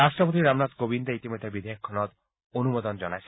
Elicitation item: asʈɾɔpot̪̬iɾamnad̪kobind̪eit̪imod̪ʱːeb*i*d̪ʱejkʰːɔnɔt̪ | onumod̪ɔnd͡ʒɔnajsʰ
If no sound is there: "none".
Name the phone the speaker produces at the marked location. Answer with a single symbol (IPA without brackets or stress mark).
i